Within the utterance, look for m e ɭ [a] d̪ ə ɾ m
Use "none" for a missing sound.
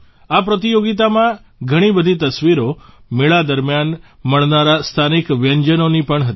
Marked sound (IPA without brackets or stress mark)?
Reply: a